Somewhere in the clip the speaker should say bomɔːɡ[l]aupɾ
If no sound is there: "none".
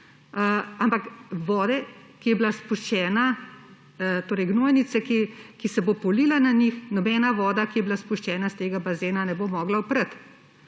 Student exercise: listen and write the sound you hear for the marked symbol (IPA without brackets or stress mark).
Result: l